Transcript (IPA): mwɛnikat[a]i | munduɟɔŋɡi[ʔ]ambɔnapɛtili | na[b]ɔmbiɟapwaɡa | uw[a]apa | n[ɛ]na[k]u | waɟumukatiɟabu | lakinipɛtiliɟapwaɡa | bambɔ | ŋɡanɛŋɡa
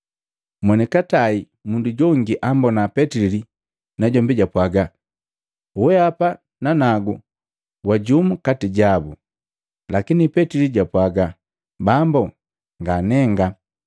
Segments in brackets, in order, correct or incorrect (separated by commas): correct, correct, incorrect, incorrect, incorrect, incorrect